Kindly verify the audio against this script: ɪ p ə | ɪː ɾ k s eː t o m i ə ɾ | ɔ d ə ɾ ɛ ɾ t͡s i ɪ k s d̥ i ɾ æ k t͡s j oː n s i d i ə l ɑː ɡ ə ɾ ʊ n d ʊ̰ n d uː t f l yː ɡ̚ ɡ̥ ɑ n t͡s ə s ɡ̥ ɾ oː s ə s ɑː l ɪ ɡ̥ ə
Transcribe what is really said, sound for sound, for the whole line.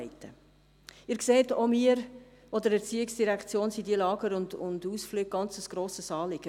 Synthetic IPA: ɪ t ə | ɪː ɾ k s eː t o m i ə ɾ | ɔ d ə ɾ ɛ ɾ t͡s i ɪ k s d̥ i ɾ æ k t͡s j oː n s i d i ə l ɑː ɡ ə ɾ ʊ n d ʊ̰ n d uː s f l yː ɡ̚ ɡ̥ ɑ n t͡s ə s ɡ̥ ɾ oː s ə s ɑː l ɪ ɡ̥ ə